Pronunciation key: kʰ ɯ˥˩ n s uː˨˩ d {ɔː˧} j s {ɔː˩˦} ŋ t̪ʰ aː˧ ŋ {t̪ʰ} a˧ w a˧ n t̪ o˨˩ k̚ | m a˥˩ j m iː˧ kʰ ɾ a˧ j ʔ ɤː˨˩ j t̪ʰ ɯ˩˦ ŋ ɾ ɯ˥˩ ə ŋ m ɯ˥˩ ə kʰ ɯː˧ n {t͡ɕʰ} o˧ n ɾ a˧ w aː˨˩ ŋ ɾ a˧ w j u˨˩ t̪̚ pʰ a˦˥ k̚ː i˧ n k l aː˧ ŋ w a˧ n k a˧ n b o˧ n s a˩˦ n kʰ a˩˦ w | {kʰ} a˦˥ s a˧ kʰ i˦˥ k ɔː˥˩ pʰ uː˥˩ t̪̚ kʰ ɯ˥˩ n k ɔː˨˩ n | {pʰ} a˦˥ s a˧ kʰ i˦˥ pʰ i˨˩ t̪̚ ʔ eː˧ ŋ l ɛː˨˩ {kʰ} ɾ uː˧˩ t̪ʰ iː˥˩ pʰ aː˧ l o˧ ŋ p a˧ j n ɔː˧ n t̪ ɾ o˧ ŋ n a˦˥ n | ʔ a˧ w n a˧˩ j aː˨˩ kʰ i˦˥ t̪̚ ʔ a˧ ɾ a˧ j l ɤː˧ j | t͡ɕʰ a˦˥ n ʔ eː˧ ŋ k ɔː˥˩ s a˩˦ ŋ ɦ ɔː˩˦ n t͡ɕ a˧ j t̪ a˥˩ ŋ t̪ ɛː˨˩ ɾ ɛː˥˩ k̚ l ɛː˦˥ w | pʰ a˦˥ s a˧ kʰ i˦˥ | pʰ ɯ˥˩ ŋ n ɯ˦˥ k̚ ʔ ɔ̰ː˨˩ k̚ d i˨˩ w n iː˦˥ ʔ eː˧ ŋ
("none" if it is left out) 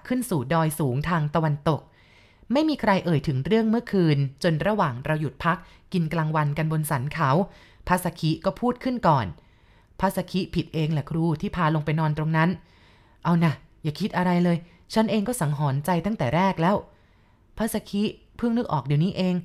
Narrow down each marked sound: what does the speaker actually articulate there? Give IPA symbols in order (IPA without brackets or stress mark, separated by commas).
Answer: ɔː˧, uː˩˦, t̪, t͡ɕ, pʰ, pʰ, kʰ